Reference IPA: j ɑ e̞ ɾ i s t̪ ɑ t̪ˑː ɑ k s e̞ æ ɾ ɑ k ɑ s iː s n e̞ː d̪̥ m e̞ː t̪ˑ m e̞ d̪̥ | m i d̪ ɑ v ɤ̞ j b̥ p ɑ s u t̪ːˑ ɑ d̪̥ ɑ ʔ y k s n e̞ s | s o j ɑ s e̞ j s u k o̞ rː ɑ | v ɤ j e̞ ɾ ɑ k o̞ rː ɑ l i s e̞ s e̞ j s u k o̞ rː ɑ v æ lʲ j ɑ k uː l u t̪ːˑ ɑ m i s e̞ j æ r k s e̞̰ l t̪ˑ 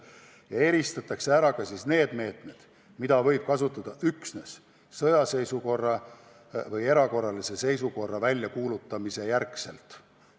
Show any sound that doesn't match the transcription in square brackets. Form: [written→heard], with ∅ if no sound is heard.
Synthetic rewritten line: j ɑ e̞ ɾ i s t̪ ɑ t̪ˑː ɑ k s e̞ æ ɾ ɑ k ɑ s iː s n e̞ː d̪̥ m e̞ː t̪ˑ m e̞ d̪̥ | m i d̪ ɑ v ɤ̞ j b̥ [p→k] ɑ s u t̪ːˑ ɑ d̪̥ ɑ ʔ y k s n e̞ s | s [o→ɤ] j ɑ s e̞ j s u k o̞ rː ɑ | v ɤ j e̞ ɾ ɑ k o̞ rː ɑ l i s e̞ s e̞ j s u k o̞ rː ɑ v æ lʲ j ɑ k uː l u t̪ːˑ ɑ m i s e̞ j æ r k s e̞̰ l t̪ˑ